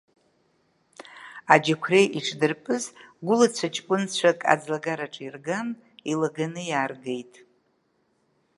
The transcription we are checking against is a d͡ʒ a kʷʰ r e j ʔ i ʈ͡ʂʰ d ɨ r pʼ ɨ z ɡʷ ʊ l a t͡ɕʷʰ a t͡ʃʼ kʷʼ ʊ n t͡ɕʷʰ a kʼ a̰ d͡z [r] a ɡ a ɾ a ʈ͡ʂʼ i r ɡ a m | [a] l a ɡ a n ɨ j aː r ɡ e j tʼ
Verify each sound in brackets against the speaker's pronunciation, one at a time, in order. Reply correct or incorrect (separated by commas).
incorrect, incorrect